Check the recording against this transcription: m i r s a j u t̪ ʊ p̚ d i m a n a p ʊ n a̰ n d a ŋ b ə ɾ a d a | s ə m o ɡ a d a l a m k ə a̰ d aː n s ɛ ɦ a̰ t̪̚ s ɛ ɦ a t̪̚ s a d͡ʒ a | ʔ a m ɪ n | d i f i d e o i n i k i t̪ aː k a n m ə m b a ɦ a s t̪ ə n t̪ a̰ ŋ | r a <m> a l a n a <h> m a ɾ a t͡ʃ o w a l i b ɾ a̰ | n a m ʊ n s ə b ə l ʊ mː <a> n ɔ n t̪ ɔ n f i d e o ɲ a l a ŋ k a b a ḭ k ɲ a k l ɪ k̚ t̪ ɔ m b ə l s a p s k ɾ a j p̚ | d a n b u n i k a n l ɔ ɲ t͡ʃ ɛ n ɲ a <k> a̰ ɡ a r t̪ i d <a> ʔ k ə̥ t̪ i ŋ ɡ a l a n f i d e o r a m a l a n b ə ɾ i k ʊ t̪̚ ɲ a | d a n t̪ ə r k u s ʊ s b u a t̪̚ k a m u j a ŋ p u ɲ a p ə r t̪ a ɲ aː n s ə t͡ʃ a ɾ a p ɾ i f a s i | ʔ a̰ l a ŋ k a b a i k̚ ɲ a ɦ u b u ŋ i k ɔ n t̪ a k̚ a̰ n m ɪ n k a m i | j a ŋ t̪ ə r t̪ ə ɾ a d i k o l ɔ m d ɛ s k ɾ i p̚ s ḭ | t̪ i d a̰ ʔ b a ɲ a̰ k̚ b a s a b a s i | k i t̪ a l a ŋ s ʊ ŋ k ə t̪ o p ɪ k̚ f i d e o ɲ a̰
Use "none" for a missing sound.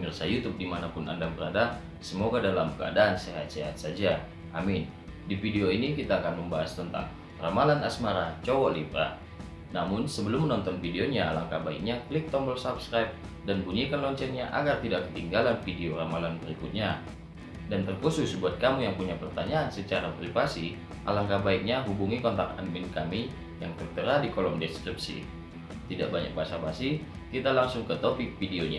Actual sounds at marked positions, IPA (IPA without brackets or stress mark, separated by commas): m, s, ə, ʔ, a